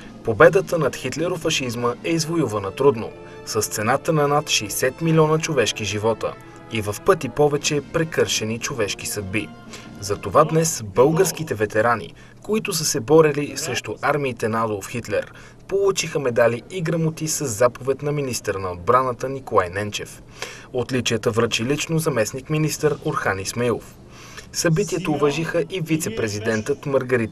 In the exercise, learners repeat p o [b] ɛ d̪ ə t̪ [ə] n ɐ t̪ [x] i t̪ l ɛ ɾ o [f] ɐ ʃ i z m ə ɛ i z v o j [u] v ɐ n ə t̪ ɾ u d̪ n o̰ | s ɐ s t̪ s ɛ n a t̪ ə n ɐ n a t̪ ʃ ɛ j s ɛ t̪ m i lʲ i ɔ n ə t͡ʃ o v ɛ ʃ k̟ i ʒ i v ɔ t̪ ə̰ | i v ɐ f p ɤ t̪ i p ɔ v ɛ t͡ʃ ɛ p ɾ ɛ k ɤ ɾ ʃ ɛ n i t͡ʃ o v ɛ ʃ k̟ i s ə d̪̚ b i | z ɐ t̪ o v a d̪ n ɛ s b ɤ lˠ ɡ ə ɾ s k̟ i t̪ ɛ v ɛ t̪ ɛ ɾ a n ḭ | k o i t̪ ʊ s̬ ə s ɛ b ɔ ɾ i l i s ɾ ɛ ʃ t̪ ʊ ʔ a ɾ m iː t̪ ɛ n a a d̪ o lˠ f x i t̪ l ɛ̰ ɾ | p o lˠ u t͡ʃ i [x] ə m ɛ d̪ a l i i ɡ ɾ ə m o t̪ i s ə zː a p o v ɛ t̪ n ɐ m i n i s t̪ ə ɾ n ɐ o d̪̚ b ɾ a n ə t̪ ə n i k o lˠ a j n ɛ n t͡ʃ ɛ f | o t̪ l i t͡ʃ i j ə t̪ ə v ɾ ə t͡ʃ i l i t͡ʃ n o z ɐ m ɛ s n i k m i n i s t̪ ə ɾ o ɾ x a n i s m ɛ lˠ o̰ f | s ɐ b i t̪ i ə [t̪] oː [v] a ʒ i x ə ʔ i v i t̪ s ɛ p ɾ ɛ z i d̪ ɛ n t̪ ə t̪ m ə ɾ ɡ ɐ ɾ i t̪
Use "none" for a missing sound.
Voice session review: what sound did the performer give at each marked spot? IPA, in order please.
b, ə, x, f, u, x, t̪, v

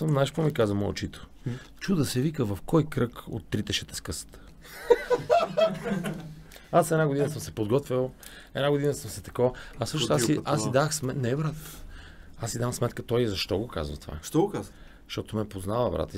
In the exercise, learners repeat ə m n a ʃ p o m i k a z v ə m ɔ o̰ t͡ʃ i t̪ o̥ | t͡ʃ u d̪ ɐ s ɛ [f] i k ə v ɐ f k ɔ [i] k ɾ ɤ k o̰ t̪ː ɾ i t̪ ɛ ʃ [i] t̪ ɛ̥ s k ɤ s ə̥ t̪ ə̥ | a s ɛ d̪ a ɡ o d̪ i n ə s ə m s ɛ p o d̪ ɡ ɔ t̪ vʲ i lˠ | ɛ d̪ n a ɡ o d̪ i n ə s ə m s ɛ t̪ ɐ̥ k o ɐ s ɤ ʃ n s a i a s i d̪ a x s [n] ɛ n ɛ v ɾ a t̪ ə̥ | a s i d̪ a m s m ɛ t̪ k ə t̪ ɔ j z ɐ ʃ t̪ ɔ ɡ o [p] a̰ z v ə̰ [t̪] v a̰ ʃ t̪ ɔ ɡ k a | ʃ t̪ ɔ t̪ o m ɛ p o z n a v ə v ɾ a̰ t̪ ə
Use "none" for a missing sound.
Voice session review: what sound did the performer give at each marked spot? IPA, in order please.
v, j, ɛ, m, k, t̪

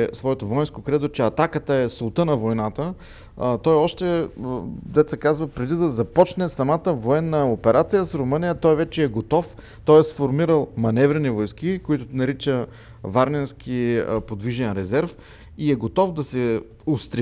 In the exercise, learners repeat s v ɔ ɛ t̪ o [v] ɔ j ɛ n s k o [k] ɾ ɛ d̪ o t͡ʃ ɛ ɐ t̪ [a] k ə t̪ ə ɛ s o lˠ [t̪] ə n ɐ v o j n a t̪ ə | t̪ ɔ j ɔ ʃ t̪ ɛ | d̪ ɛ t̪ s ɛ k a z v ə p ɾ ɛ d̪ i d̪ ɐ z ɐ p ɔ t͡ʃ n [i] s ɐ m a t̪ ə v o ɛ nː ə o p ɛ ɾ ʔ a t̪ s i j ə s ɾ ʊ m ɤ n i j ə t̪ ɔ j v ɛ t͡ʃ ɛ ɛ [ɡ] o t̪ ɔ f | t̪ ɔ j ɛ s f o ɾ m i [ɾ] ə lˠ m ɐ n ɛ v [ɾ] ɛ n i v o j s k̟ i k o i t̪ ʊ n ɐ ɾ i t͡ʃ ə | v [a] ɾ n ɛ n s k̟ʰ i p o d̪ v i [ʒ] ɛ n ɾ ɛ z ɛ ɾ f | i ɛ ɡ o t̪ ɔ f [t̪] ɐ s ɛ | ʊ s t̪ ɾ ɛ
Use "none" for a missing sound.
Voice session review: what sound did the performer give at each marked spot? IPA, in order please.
v, k, a, t̪, ɛ, ɡ, ɾ, ɾ, a, ʒ, d̪

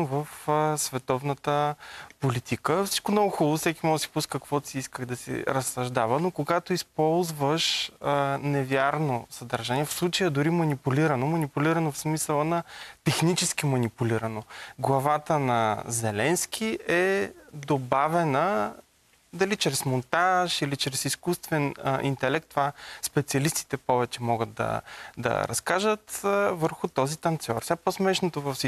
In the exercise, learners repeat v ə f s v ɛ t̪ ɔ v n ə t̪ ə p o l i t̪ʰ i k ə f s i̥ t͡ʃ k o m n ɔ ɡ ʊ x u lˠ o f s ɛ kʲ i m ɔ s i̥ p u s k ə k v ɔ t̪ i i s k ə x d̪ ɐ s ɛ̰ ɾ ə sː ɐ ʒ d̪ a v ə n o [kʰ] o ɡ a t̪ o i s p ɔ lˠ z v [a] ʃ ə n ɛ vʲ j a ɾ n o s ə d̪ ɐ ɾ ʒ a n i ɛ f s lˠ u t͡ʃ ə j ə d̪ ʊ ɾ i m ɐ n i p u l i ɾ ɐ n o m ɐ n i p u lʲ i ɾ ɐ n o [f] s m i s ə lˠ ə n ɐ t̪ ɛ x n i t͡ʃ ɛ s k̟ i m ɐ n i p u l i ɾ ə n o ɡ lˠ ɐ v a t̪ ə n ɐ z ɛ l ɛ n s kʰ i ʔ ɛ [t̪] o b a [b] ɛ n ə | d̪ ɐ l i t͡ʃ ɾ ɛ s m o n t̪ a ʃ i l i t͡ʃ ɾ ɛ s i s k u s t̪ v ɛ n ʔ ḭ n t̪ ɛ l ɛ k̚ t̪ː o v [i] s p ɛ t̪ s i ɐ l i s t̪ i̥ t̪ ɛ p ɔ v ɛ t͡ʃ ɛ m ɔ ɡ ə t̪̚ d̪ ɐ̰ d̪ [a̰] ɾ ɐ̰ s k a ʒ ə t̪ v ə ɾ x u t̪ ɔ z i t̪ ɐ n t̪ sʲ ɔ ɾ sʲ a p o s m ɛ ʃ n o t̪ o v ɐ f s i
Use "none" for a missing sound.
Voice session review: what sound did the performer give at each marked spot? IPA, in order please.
k, ə, f, d̪, v, a, ɐ̰

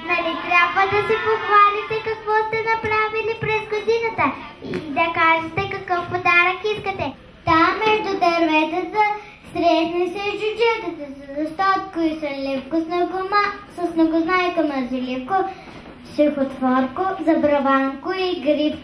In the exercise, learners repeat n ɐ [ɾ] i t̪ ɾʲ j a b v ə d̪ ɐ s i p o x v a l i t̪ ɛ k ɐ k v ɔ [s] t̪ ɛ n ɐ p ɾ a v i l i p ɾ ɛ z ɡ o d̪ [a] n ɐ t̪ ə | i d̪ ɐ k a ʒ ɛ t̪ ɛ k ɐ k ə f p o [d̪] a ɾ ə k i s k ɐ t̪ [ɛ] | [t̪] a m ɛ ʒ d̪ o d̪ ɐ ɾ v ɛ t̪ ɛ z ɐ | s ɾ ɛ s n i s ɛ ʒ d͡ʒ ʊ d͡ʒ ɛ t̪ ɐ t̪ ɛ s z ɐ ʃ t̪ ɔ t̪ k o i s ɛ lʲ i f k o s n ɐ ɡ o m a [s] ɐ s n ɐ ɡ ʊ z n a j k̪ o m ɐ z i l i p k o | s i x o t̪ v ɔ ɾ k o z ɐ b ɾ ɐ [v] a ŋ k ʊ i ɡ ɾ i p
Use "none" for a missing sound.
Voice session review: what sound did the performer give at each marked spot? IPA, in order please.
l, s, i, d̪, ɛ, t̪, s, v

